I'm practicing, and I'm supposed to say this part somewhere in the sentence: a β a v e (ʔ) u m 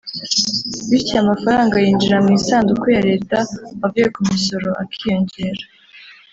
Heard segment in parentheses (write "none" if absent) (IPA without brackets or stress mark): k